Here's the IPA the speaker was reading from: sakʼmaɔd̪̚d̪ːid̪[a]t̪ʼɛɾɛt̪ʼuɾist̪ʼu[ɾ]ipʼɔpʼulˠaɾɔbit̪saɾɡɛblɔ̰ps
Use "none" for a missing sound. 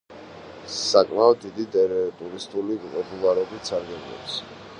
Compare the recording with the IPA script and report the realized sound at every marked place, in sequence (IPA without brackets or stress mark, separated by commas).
i, l